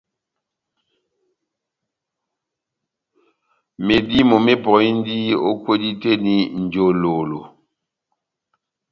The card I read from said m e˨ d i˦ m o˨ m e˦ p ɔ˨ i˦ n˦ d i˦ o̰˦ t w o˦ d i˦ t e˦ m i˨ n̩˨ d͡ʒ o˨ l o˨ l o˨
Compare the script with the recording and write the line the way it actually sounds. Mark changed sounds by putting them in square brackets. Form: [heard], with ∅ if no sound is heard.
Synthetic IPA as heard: m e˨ d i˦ m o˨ m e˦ p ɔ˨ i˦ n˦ d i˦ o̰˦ [k] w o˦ d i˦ t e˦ [n] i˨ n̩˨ d͡ʒ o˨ l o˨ l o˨